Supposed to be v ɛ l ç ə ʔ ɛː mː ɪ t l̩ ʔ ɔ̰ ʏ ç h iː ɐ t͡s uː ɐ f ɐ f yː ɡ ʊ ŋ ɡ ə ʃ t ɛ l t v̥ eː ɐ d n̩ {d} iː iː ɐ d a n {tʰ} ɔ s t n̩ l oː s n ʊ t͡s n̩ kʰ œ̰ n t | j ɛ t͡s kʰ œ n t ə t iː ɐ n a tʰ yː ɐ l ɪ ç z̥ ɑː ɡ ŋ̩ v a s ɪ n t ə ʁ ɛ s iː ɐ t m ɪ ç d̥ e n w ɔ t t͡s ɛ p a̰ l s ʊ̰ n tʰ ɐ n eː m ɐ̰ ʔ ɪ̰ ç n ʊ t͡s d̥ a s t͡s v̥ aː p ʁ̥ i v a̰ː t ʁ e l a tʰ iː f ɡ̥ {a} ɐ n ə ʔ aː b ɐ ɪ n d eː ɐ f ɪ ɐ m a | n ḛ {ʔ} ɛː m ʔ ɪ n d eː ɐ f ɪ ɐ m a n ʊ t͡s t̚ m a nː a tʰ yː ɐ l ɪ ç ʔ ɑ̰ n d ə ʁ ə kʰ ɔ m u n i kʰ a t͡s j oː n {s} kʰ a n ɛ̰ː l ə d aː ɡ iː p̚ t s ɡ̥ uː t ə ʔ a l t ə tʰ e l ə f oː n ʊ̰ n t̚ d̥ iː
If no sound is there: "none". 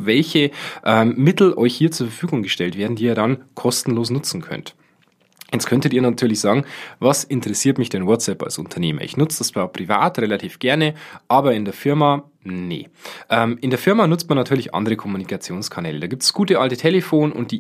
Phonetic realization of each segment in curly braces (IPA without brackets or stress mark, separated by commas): d, kʰ, ɛ, ʔ, s